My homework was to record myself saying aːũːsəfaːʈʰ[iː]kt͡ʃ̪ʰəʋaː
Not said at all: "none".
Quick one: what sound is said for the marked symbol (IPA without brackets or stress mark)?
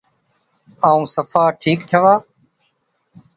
iː